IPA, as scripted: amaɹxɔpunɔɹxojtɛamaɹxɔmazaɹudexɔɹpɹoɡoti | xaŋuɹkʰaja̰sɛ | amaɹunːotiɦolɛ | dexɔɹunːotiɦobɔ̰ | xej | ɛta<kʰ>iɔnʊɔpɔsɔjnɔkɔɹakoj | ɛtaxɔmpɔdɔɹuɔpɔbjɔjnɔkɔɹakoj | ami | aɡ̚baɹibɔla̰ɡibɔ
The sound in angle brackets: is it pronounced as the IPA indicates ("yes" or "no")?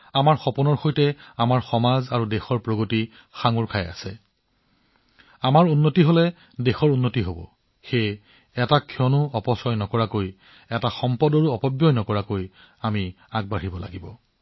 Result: yes